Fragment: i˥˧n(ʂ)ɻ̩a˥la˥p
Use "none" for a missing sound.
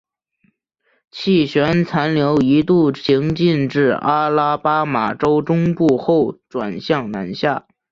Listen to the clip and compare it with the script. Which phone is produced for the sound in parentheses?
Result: ʈ͡ʂ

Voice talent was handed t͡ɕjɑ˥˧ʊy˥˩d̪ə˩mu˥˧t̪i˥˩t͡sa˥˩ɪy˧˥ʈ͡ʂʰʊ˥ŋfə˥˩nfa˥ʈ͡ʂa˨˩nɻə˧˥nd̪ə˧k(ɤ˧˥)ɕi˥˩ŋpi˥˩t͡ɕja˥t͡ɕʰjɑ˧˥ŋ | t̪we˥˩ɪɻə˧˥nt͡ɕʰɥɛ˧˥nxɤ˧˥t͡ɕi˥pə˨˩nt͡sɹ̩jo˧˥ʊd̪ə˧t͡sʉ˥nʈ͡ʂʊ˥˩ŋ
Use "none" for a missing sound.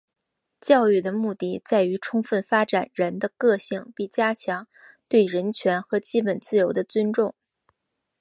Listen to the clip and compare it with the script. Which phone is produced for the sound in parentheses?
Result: ɤ˥˧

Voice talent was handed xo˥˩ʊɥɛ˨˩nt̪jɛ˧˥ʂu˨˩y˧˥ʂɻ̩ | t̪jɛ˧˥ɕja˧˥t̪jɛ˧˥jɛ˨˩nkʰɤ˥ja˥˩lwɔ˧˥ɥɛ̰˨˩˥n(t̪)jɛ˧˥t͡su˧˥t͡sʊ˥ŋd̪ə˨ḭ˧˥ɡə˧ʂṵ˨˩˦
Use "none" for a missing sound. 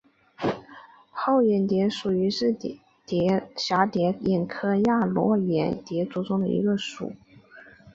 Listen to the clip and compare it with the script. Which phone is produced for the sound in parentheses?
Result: t̪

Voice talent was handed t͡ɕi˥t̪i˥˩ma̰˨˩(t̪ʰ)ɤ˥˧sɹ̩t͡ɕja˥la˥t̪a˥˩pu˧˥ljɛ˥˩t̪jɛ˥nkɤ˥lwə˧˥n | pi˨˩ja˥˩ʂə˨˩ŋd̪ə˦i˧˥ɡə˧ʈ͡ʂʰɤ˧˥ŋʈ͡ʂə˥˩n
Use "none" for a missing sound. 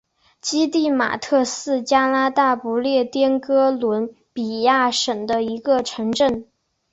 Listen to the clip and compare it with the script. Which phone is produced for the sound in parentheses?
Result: t̪ʰ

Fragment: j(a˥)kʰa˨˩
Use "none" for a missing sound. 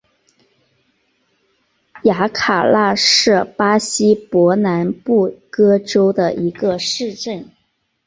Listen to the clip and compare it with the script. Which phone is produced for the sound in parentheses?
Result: a˧˥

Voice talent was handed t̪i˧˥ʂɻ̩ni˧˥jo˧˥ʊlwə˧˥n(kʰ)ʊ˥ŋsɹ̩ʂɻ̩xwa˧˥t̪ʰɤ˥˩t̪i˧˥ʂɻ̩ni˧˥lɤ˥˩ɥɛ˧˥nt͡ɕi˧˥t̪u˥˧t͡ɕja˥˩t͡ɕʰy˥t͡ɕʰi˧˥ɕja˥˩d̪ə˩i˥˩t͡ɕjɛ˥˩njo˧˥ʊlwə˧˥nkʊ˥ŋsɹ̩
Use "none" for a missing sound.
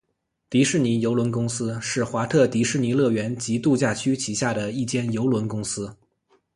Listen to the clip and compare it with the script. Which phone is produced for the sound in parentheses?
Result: k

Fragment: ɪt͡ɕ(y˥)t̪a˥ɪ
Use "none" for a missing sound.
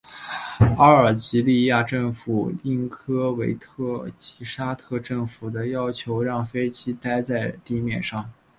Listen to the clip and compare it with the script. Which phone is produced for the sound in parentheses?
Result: i˥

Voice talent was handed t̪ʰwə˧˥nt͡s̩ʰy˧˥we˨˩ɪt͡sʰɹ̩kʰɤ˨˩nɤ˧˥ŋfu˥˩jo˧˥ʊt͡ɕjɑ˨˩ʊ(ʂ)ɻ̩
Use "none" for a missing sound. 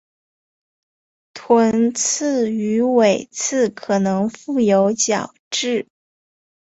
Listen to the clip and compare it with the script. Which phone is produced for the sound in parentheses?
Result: ʈ͡ʂ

